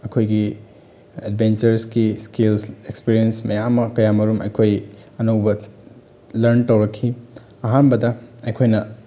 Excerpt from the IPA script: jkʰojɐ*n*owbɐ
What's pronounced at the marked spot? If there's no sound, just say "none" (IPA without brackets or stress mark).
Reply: n